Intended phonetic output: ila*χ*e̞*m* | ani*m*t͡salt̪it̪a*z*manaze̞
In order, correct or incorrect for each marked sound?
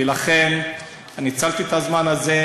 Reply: correct, incorrect, incorrect, correct

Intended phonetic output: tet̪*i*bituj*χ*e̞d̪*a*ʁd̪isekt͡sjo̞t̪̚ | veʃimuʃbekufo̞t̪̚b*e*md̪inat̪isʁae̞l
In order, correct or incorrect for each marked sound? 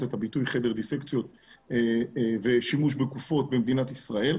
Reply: incorrect, correct, incorrect, correct

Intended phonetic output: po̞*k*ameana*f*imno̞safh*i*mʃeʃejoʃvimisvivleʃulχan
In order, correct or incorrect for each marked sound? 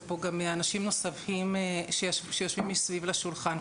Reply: incorrect, incorrect, correct

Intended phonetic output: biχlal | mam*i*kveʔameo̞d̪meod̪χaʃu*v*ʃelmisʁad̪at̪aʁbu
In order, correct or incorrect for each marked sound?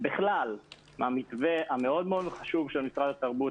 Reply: correct, correct

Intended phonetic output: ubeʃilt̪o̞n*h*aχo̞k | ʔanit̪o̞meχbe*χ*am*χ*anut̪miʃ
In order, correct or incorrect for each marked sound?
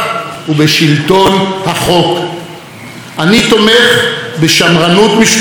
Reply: correct, incorrect, incorrect

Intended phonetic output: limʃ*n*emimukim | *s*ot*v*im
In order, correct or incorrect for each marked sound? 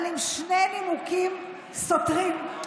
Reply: correct, correct, incorrect

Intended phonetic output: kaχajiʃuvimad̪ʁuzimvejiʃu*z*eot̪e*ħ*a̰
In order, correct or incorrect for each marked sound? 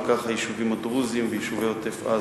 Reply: incorrect, incorrect

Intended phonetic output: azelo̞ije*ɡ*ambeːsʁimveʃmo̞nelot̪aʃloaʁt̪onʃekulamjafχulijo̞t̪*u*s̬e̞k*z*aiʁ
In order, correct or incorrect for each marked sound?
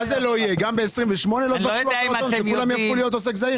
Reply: correct, incorrect, correct

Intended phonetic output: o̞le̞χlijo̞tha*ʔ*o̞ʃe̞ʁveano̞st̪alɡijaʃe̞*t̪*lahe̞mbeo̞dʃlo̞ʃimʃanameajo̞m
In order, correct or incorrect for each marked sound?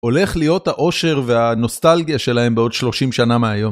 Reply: correct, incorrect

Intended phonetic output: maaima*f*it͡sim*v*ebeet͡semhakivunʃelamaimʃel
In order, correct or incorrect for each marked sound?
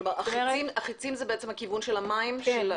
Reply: incorrect, incorrect

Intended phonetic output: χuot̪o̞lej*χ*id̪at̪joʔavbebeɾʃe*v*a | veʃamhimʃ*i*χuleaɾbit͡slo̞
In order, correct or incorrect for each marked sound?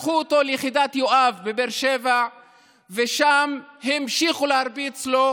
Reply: correct, correct, correct

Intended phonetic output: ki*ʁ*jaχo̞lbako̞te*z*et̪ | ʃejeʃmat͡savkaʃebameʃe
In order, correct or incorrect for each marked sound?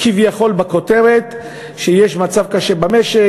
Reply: incorrect, incorrect

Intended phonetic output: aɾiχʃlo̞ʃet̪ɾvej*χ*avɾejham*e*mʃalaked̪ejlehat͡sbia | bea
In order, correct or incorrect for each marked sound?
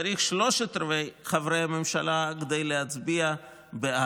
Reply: correct, correct

